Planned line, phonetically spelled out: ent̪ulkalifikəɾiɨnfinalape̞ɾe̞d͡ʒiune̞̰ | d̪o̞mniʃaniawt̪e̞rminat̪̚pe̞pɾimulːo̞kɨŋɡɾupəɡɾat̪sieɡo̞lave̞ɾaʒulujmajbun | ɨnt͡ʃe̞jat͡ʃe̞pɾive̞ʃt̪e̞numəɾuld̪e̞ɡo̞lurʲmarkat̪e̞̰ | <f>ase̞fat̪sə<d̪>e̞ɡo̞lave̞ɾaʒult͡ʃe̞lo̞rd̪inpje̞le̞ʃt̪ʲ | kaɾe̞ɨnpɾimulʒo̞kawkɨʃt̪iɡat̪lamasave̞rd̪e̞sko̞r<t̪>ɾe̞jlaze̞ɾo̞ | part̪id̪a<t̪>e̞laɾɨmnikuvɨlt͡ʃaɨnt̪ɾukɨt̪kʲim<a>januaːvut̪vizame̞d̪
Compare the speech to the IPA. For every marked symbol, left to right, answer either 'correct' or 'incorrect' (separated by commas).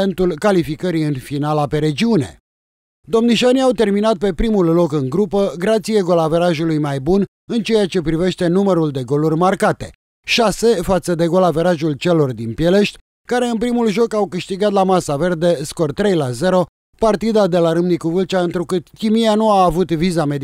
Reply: incorrect, correct, correct, incorrect, incorrect